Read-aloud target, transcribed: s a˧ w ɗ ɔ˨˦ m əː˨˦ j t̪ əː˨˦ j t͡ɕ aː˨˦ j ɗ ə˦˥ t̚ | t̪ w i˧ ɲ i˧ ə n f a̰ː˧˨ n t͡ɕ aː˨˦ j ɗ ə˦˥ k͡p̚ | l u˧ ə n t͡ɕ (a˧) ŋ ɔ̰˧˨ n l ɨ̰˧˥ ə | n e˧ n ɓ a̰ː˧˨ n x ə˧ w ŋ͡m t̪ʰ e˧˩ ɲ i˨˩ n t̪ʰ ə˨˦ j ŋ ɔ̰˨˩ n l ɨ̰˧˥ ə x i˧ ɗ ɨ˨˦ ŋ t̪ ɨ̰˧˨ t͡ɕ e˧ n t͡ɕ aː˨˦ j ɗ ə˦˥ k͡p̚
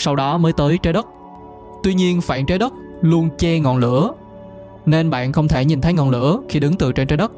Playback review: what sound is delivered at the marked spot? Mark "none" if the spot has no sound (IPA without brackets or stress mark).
ɛ˧